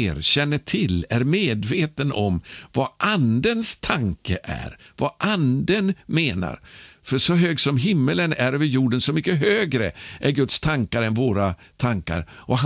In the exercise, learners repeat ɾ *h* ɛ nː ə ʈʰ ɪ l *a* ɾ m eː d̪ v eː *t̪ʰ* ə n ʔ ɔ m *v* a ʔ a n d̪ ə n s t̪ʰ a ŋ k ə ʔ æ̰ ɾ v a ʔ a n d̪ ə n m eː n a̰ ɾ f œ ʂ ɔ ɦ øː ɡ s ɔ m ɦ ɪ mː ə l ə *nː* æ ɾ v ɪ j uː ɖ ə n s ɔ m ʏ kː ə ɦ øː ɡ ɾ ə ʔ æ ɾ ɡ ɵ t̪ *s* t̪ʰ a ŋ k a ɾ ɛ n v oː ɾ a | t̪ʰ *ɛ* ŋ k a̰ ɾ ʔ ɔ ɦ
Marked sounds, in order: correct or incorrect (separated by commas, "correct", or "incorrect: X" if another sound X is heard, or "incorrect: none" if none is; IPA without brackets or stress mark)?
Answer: incorrect: ɕ, incorrect: æ, incorrect: t̪, correct, incorrect: n, correct, incorrect: a